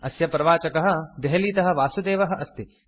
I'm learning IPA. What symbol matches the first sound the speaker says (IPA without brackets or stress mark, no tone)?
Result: ɐ